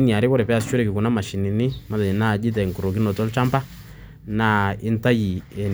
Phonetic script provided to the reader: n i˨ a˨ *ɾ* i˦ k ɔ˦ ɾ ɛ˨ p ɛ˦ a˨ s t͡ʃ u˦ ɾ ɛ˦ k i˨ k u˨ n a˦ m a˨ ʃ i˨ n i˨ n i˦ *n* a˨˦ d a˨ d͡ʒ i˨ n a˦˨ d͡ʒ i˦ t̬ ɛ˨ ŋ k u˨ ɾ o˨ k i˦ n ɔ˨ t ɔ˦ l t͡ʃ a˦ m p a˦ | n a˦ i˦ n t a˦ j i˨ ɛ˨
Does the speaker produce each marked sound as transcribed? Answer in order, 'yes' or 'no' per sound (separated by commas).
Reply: yes, no